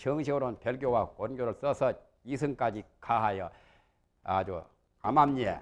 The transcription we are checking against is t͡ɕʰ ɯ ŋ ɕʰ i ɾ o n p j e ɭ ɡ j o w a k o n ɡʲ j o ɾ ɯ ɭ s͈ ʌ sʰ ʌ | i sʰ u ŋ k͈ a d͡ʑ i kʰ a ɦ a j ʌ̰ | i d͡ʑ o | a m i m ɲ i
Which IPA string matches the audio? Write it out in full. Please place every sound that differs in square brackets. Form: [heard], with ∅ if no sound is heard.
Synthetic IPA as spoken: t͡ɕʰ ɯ ŋ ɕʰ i ɾ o n p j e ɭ ɡ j o w a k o n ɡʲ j o ɾ ɯ ɭ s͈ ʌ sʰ ʌ | i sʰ [ɯ] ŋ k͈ a d͡ʑ i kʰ a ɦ a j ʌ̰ | [a] d͡ʑ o | a m [a] m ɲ [e]